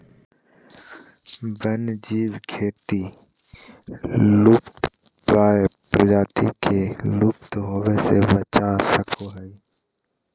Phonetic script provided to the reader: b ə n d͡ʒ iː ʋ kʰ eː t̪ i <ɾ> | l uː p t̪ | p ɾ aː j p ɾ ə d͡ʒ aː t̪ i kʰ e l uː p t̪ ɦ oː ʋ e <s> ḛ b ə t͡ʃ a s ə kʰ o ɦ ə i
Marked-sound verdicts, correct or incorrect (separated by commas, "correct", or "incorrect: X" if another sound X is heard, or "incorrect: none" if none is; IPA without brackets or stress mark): incorrect: none, correct